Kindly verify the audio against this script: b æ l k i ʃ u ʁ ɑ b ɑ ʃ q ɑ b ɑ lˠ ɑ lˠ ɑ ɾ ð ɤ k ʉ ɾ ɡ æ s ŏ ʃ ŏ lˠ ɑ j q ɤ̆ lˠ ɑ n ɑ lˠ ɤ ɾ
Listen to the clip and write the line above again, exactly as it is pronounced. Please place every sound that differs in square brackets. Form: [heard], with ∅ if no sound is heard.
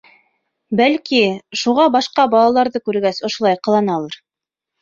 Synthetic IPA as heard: b æ l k i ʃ u ʁ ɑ b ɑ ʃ q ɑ b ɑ lˠ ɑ lˠ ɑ ɾ ð ɤ k ʉ ɾ ɡ æ s ŏ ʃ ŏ lˠ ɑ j q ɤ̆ lˠ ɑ n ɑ lˠ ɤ ɾ

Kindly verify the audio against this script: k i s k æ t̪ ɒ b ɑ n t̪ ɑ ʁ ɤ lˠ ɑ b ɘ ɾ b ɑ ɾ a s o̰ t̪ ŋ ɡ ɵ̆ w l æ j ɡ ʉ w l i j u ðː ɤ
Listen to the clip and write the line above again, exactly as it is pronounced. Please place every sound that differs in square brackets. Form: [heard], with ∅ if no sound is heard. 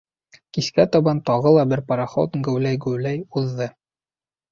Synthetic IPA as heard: k i s k æ t̪ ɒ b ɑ n t̪ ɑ ʁ ɤ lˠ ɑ b ɘ ɾ [p] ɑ ɾ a [χ] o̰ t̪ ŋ ɡ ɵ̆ w l æ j ɡ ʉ w l [æ] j u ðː ɤ

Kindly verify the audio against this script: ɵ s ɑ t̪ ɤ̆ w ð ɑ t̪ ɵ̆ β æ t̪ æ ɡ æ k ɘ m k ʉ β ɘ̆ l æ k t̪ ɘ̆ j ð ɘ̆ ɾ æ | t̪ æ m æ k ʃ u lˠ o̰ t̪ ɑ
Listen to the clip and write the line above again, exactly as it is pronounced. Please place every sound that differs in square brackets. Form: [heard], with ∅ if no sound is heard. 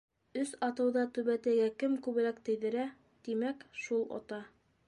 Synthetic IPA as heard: ɵ s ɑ t̪ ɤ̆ w ð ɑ t̪ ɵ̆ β æ t̪ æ ɡ æ k ɘ m k ʉ β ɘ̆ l æ k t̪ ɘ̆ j ð ɘ̆ ɾ æ | t̪ [i] m æ k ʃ u lˠ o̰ t̪ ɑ

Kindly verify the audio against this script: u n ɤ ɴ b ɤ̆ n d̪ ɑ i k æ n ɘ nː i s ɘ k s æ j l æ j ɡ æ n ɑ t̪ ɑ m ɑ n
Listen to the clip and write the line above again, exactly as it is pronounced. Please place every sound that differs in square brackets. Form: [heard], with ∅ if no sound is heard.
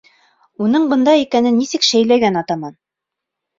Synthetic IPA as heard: u n ɤ ɴ b ɤ̆ n d̪ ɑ i k æ n ɘ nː i s ɘ k [ʃ] æ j l æ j ɡ æ n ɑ t̪ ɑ m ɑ n

